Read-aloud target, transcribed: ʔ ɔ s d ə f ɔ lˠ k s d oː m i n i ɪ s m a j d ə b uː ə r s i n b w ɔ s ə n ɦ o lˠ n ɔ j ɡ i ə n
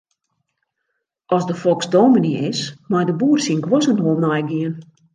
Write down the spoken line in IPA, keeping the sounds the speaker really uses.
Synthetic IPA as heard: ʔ ɔ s d ə f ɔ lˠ k s d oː m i n i ɪ s m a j d ə b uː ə r s i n ɡ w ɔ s ə n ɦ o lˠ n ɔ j ɡ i ə n